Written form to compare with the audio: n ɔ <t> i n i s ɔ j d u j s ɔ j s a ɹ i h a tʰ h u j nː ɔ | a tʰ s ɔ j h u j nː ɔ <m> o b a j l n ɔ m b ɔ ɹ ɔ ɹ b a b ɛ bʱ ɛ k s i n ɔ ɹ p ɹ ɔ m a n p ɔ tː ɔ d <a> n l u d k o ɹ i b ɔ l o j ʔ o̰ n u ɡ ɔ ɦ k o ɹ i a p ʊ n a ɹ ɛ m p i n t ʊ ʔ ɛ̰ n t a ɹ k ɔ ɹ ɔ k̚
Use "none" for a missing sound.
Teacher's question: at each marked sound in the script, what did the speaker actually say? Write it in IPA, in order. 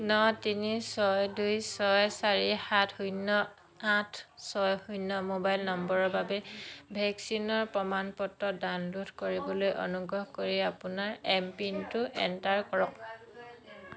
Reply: t, m, a

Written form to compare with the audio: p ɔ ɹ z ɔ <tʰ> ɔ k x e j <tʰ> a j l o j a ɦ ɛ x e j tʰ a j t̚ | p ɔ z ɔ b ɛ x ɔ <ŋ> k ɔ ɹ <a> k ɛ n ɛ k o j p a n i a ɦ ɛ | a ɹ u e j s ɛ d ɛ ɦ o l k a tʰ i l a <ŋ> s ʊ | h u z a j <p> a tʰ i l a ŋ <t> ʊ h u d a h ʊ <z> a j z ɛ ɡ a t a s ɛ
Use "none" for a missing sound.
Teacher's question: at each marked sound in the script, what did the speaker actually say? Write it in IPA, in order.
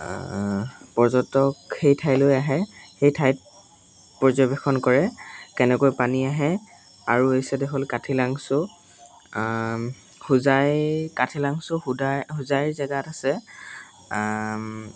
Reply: t, tʰ, n, ɛ, ŋ, k, s, z

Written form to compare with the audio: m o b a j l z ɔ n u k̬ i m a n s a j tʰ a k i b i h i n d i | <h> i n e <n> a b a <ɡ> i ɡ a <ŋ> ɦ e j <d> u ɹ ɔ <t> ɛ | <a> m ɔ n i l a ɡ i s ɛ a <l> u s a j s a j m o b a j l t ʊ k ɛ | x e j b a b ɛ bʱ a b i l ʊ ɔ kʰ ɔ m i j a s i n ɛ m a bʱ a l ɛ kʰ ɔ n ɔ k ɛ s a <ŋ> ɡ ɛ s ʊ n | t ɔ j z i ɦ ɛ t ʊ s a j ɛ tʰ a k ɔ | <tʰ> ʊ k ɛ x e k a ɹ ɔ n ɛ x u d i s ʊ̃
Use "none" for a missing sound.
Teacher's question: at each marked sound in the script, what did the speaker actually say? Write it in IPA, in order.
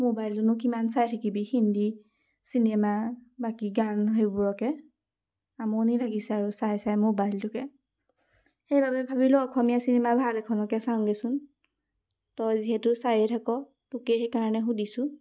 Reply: s, m, k, n, b, k, a, ɹ, ŋ, t

